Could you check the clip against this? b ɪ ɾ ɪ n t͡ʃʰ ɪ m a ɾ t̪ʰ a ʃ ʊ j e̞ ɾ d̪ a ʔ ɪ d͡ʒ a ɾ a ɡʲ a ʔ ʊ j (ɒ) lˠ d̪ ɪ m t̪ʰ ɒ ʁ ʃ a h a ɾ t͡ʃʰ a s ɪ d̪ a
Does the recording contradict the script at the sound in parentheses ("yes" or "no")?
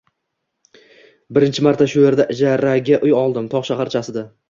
no